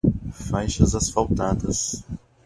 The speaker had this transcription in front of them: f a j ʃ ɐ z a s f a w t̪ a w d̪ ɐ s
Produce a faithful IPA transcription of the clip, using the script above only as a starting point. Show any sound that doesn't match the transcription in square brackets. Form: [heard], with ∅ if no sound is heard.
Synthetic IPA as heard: f a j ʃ ɐ z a s f a w t̪ a [∅] d̪ ɐ s